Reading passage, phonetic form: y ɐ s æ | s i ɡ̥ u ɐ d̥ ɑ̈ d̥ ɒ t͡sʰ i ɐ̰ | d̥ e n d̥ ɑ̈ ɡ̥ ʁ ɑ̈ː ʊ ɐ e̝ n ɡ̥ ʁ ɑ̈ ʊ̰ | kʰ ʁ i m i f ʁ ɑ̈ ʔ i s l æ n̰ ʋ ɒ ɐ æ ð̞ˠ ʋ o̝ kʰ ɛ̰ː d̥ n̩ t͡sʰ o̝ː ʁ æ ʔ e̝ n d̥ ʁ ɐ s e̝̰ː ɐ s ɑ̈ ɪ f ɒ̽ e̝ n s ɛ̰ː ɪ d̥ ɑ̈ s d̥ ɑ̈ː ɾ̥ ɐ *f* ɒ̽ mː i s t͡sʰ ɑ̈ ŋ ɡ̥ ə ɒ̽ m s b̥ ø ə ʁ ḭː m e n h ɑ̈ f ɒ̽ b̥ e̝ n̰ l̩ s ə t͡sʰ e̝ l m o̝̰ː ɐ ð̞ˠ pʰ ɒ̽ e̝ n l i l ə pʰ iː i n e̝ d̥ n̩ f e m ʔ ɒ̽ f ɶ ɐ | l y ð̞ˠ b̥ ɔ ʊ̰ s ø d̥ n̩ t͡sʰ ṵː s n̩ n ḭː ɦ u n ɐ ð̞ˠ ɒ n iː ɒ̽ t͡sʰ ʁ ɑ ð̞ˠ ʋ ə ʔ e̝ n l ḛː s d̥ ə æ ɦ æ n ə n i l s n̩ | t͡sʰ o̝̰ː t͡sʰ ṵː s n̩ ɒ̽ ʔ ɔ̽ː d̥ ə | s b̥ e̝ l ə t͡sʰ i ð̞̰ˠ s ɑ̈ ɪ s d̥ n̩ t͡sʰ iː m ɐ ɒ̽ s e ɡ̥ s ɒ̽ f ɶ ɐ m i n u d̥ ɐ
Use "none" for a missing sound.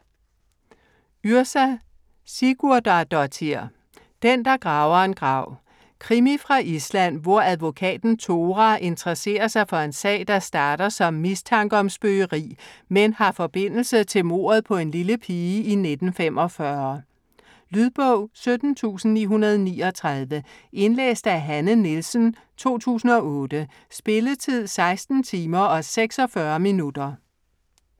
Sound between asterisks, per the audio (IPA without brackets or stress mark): s